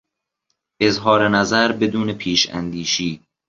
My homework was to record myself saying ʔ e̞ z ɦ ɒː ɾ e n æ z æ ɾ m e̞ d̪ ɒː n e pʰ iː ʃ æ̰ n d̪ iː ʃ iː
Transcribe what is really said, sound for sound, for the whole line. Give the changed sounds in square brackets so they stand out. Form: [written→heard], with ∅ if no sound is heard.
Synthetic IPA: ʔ e̞ z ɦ ɒː ɾ e n æ z æ ɾ [m→b] e̞ d̪ [ɒː→uː] n e pʰ iː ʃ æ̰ n d̪ iː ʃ iː